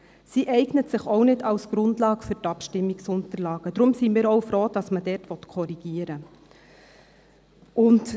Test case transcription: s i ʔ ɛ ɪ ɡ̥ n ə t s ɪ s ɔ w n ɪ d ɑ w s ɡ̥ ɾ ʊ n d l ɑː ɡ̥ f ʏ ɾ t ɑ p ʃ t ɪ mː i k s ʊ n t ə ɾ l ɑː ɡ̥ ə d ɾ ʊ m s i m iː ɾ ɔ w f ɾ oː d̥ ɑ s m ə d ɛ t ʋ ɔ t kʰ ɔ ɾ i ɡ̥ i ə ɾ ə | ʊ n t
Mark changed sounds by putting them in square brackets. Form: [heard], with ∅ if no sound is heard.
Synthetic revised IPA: s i ʔ ɛ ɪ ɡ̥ n ə t s ɪ [χ] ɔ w n ɪ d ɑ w s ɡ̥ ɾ ʊ n d l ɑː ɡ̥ f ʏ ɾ t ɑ p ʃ t ɪ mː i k s ʊ n t ə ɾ l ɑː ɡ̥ ə d ɾ ʊ m s i m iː ɾ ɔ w f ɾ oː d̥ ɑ s m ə d ɛ t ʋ ɔ t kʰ ɔ ɾ i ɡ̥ i ə ɾ ə | ʊ n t